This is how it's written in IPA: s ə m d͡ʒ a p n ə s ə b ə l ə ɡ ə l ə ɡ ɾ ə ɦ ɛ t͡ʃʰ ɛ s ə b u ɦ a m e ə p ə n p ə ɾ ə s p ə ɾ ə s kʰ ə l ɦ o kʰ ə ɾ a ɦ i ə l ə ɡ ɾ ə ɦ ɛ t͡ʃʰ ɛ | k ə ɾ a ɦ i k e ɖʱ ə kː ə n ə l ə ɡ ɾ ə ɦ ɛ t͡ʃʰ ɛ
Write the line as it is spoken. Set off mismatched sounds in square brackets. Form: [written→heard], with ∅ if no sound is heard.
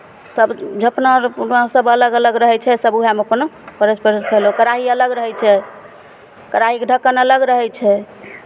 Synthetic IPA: s ə [m→b] d͡ʒ [a→ə] p n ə s ə b ə l ə ɡ ə l ə ɡ ɾ ə ɦ ɛ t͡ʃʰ ɛ s ə b u ɦ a m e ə p ə n p ə ɾ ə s p ə ɾ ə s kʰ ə l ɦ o [kʰ→k] ə ɾ a ɦ i ə l ə ɡ ɾ ə ɦ ɛ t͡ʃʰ ɛ | k ə ɾ a ɦ i k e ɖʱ ə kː ə n ə l ə ɡ ɾ ə ɦ ɛ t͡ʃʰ ɛ